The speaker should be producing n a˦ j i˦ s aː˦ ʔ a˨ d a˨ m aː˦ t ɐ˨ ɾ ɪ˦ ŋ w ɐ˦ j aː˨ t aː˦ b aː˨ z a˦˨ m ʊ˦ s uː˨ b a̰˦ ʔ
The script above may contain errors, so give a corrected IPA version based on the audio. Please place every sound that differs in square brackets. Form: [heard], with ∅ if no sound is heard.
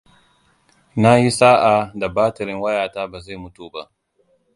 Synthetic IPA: n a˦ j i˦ s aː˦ ʔ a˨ d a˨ [b] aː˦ t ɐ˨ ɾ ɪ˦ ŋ w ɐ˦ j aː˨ t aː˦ b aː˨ z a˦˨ m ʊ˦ [t] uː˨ b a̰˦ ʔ